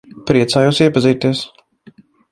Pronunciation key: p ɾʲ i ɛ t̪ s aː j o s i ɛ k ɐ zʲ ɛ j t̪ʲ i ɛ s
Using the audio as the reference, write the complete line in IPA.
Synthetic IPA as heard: p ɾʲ i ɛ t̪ s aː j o s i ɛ p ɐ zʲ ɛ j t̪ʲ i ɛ s